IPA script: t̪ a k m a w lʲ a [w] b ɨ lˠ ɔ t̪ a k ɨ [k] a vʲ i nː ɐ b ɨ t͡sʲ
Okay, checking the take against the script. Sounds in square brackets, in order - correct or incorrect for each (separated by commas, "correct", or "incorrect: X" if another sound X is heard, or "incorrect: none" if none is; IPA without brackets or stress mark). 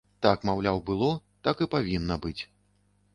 correct, incorrect: p